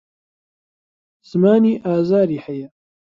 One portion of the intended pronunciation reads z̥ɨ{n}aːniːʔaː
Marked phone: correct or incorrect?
incorrect